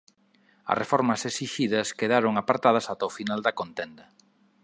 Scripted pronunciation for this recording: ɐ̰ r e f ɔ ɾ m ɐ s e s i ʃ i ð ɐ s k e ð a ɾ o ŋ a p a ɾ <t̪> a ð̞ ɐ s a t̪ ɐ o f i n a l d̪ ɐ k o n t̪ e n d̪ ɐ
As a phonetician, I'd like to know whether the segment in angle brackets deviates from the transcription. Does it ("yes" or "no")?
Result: no